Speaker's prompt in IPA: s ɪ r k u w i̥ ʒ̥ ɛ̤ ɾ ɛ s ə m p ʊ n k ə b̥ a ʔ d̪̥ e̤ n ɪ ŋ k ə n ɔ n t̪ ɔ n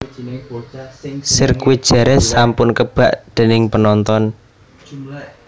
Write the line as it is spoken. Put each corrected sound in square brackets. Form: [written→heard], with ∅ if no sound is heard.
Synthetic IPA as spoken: s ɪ r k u w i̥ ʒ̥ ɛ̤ ɾ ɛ s [ə→a] m p ʊ n k ə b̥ a ʔ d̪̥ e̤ n ɪ ŋ [k→p] ə n ɔ n t̪ ɔ n